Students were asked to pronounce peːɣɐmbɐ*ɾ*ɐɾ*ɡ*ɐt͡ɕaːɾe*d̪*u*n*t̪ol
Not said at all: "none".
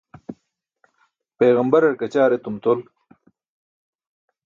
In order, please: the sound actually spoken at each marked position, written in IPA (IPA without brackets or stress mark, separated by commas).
ɾ, k, t̪, m